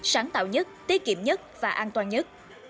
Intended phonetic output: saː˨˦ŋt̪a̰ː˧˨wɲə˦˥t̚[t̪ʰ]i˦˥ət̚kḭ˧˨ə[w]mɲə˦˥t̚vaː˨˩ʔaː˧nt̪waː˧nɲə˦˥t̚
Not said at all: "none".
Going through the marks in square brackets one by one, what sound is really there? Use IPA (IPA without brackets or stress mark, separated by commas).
t̪, none